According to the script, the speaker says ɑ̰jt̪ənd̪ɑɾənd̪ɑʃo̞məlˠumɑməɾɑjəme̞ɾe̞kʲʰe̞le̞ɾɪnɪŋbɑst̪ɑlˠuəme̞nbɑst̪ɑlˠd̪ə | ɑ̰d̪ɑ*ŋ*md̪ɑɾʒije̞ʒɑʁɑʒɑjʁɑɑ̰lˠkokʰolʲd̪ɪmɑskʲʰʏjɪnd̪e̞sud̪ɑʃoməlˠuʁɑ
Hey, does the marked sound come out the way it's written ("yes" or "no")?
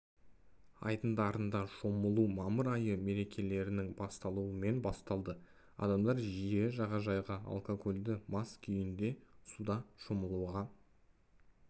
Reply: no